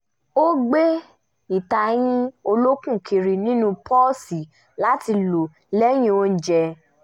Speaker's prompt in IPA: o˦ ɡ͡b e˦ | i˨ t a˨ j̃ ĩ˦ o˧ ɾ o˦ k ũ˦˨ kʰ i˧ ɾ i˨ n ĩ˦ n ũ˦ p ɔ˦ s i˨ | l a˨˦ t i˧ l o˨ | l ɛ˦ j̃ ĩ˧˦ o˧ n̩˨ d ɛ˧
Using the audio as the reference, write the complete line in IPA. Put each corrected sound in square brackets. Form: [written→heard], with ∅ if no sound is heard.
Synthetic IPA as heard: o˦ ɡ͡b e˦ | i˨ t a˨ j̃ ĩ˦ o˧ [ɾ→l] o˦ k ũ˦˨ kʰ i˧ ɾ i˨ n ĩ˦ n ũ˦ p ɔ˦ s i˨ | l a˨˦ t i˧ l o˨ | l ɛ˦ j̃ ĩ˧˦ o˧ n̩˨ [d→d͡ʒ] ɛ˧